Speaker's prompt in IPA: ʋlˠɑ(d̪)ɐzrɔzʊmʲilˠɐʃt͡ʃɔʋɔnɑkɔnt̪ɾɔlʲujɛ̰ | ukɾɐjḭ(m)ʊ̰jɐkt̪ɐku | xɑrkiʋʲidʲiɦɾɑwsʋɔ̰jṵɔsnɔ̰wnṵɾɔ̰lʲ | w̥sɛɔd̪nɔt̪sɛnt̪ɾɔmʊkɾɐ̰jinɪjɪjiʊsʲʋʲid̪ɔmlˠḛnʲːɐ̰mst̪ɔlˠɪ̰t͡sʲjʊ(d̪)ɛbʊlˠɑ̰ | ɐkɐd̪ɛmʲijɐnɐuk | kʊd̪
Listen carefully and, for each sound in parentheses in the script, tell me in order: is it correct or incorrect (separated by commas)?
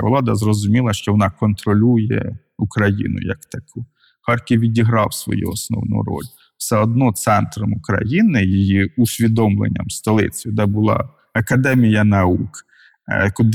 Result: correct, incorrect, correct